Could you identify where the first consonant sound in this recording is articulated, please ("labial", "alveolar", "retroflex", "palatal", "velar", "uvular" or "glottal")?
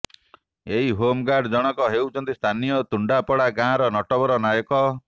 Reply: glottal